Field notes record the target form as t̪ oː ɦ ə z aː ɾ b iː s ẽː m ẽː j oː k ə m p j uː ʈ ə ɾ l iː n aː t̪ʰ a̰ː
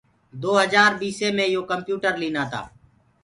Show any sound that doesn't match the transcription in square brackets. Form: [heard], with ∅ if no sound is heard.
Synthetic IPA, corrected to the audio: [d̪] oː ɦ ə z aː ɾ b iː s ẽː m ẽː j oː k ə m p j uː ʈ ə ɾ l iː n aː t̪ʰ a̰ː